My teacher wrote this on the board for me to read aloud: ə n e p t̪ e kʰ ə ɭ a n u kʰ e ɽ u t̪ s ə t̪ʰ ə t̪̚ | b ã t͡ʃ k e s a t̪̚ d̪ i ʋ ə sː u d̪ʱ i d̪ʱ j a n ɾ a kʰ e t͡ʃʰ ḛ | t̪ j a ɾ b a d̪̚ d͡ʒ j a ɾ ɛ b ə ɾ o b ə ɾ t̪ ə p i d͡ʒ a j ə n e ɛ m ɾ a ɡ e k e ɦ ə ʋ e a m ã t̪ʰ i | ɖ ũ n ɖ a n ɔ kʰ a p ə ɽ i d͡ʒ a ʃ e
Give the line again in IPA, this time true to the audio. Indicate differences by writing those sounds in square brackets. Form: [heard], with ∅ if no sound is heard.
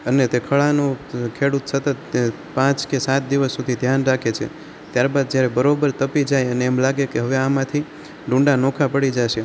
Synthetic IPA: ə n e [∅] t̪ e kʰ ə ɭ a n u kʰ e ɽ u t̪ s ə [t̪] ə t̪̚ | [p] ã t͡ʃ k e s a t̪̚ d̪ i ʋ ə sː u d̪ʱ i d̪ʱ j a n ɾ a kʰ e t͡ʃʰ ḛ | t̪ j a ɾ b a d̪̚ d͡ʒ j a ɾ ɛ b ə ɾ o b ə ɾ t̪ ə p i d͡ʒ a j ə n e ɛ m [l] a ɡ e k e ɦ ə ʋ e a m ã t̪ʰ i | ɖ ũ [ɳ] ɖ a n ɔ kʰ a p ə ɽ i d͡ʒ a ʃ e

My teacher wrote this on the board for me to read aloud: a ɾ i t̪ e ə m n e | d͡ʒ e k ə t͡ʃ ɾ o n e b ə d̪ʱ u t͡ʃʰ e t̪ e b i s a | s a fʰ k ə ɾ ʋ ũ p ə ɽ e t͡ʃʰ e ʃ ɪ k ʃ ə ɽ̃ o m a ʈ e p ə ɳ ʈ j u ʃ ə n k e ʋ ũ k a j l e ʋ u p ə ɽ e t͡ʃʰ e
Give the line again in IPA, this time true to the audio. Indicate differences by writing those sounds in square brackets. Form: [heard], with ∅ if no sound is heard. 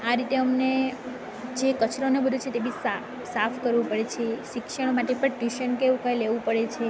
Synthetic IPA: a ɾ i t̪ e ə m n e | d͡ʒ e k ə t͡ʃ ɾ o n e b ə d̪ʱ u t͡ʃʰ e t̪ e b i s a | s a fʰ k ə ɾ ʋ ũ p ə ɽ e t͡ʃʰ e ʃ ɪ k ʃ ə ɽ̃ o m a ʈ e p ə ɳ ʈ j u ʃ ə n k e ʋ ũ k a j l e ʋ [ũ] p ə ɽ e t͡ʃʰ e

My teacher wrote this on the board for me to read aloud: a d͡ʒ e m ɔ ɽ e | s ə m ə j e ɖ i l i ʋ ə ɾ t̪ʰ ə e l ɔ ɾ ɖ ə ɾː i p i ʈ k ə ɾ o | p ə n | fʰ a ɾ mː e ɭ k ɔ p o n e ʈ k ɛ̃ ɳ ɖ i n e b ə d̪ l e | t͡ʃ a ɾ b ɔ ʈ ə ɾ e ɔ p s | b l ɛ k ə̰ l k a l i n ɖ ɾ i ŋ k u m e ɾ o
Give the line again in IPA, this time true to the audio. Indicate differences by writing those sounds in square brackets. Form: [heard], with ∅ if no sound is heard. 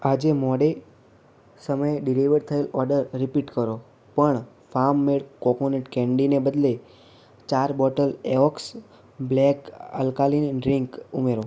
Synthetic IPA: a d͡ʒ e m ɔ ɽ e | s ə m ə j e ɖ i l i ʋ ə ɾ t̪ʰ ə e l ɔ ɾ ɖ ə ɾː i p i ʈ k ə ɾ o | p ə [ɳ] | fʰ a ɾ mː e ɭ k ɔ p o n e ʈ k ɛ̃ ɳ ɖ i n e b ə d̪ l e | t͡ʃ a ɾ b ɔ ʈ ə [l] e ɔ [k] s | b l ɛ k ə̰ l k a l i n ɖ ɾ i ŋ k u m e ɾ o

